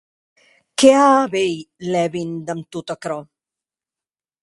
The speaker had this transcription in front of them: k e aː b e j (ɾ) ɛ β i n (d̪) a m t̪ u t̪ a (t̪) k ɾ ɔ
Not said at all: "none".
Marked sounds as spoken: l, d̪, none

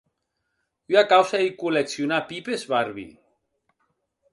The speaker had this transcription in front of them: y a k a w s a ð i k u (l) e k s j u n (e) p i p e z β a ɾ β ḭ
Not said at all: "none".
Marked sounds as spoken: l, a

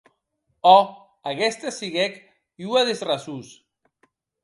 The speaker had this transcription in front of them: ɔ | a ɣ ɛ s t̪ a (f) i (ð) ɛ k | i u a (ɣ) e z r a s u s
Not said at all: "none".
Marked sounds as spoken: s, ɣ, ð

